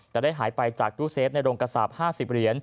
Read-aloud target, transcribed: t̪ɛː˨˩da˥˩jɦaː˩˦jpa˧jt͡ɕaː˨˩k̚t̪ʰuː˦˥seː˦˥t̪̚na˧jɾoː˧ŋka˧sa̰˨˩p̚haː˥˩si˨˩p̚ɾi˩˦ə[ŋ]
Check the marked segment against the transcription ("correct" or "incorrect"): incorrect